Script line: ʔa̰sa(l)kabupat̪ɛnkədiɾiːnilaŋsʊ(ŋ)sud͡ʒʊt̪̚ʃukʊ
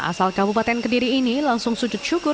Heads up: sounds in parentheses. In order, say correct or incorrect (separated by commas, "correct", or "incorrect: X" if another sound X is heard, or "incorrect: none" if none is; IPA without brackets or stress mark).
correct, correct